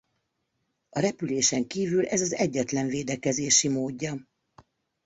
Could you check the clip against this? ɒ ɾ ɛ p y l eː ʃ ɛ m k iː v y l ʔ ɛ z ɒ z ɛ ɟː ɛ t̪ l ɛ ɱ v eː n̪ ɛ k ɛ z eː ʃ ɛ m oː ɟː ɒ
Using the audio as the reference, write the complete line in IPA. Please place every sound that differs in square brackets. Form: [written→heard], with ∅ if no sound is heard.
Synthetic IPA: ɒ ɾ ɛ p y l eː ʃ ɛ [m→ŋ] k iː v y l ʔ ɛ z ɒ z ɛ ɟː ɛ t̪ l ɛ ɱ v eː [n̪→d̪] ɛ k ɛ z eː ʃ [ɛ→i] m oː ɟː ɒ